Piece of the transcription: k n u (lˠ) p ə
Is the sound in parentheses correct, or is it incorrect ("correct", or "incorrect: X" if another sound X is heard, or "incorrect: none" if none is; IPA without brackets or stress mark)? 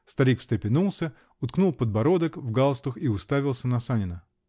correct